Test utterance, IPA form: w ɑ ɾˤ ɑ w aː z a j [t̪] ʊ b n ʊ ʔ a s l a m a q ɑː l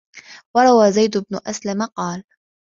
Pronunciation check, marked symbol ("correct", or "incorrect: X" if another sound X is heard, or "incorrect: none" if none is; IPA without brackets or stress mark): incorrect: d̪